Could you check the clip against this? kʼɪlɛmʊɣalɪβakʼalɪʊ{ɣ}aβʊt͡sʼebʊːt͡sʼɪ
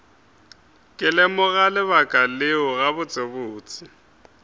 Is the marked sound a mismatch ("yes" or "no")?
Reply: no